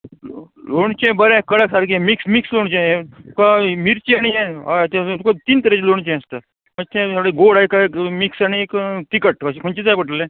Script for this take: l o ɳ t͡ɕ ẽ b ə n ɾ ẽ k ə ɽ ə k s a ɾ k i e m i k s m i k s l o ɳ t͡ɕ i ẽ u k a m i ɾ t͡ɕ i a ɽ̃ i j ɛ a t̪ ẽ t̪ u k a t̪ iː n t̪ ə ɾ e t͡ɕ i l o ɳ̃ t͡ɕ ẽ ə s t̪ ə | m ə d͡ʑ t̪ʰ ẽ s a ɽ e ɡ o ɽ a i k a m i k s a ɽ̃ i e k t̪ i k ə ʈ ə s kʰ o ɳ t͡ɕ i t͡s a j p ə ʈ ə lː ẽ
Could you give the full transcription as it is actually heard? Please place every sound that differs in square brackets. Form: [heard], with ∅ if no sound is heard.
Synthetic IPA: l o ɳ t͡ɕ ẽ b ə [∅] ɾ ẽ k ə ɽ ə k s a ɾ k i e m i k s m i k s l o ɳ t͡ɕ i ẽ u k a m i ɾ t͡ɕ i a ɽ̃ i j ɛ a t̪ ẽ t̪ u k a t̪ iː n t̪ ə ɾ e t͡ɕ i l o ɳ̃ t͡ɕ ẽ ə s t̪ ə | m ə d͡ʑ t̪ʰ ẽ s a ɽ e ɡ o ɽ a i k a m i k s a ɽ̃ i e k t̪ i k ə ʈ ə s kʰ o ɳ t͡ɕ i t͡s a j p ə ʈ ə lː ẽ

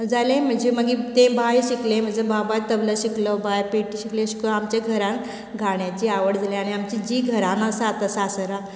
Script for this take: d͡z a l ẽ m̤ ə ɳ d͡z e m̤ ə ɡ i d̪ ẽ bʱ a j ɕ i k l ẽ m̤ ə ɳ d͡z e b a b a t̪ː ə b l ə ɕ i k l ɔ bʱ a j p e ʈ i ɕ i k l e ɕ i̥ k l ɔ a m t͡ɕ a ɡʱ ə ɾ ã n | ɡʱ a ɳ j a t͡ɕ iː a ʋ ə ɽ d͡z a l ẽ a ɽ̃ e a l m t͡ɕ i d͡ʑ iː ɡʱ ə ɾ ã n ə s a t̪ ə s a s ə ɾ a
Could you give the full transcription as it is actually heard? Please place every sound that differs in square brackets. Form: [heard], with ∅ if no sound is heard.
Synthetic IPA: d͡z a l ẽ m̤ ə ɳ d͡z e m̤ ə ɡ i [t̪] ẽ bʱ a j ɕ i k l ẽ m̤ ə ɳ d͡z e b a b a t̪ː ə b l ə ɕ i k l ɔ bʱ a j p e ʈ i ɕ i k l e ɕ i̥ k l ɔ a m t͡ɕ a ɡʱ ə ɾ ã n | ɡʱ a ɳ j a t͡ɕ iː a ʋ ə ɽ d͡z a l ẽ a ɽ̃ [i] a [∅] m t͡ɕ i d͡ʑ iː ɡʱ ə ɾ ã n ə s a t̪ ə s a s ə ɾ a

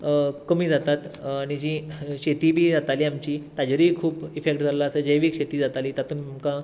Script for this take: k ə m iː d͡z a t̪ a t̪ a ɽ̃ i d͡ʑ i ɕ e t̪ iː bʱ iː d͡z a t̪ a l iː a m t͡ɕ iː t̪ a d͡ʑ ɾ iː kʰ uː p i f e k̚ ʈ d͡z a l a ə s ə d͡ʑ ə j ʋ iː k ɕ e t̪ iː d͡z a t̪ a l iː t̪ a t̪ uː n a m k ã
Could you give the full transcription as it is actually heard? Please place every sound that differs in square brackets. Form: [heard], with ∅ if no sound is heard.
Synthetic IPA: k ə m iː d͡z a t̪ a t̪ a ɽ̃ i d͡ʑ i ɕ e t̪ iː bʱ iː d͡z a t̪ a l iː a m t͡ɕ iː t̪ a d͡ʑ ɾ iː kʰ uː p i f e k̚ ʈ d͡z a l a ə s ə d͡ʑ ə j ʋ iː k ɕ e t̪ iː d͡z a t̪ a l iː t̪ a t̪ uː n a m k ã

